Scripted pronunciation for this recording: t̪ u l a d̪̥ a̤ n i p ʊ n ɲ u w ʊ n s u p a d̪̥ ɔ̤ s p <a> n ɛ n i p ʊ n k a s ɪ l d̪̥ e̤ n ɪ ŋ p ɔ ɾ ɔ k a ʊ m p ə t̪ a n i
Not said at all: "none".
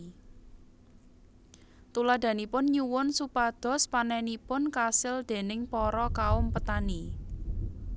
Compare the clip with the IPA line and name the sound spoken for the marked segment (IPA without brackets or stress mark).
a